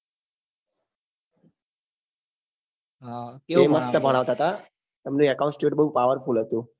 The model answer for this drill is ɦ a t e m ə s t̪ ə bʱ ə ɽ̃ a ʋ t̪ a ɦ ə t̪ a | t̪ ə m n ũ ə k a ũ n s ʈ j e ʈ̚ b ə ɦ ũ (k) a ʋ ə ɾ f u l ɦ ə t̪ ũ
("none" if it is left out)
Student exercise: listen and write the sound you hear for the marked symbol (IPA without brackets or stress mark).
p